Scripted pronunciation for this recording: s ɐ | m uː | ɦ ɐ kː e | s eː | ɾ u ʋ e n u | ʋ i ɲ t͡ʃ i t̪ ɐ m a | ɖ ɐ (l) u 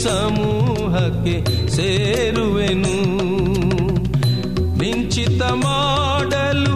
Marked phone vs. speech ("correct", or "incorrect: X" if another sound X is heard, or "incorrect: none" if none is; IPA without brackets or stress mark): correct